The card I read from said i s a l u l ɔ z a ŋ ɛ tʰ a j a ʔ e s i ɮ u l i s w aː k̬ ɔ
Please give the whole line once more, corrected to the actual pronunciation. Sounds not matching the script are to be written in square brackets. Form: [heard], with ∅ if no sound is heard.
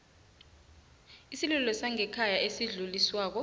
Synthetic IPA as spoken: i s [i] l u l ɔ [s] a ŋ ɛ [kʰ] a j a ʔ e s i ɮ u l i s w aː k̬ ɔ